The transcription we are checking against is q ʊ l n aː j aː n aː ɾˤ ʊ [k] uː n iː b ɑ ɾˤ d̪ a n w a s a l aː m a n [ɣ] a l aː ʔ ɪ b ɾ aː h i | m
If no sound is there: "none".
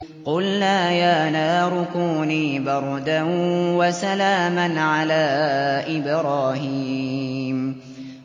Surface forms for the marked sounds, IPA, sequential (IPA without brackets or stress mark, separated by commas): k, ʕ